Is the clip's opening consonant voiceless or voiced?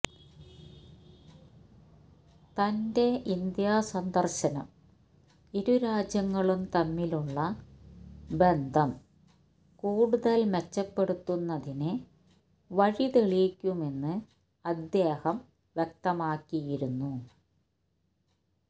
voiceless